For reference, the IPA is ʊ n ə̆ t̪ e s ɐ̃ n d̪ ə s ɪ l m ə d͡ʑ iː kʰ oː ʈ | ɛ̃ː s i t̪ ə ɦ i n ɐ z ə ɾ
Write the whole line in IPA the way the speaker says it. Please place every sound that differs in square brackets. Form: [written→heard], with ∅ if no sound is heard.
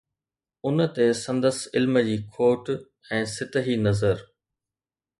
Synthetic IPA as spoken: ʊ n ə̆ t̪ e s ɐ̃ n d̪ ə s ɪ l m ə d͡ʑ iː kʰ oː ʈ | ɛ̃ː s [i→ɪ] t̪ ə ɦ i n ɐ z ə ɾ